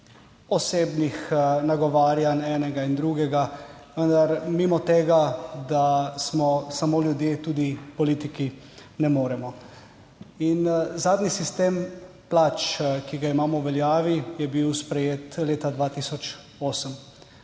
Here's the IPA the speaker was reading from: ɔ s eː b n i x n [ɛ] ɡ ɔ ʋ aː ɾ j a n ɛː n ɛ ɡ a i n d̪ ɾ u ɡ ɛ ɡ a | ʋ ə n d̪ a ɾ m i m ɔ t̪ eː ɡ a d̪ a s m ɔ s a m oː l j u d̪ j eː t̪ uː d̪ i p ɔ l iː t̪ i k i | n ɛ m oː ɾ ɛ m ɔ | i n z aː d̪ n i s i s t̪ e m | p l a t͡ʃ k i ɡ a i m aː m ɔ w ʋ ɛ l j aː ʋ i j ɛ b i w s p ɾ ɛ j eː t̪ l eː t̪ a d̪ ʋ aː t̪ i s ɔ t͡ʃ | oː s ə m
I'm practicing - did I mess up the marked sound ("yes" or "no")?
yes